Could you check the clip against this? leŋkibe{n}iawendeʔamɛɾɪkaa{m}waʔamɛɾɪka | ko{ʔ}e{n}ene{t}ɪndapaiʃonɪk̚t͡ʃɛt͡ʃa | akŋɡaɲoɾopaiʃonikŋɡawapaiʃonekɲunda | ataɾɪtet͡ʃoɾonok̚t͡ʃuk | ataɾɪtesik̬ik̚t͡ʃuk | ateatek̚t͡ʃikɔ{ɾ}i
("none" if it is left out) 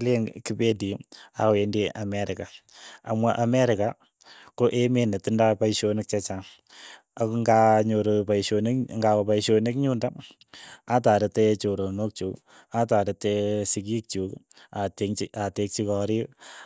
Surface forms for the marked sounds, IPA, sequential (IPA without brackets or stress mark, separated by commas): d, m, ʔ, m, t, ɾ